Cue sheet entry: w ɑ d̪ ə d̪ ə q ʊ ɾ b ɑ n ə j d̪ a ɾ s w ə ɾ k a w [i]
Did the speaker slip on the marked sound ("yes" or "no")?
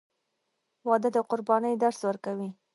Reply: no